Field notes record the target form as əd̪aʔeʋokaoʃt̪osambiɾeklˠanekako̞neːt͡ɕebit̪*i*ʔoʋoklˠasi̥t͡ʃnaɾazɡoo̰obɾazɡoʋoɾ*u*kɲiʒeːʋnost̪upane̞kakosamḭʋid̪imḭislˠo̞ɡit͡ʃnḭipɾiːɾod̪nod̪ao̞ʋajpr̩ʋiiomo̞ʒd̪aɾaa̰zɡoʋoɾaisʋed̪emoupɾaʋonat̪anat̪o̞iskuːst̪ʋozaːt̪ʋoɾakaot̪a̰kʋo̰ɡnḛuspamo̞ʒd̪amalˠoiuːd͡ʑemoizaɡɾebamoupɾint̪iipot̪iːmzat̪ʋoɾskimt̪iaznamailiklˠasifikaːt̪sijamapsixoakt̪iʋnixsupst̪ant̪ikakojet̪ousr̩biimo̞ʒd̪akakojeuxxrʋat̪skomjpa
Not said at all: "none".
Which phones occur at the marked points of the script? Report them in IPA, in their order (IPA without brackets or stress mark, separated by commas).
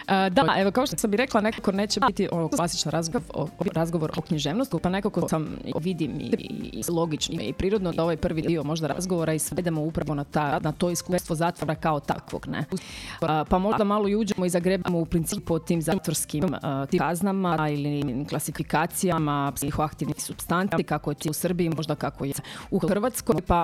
i, o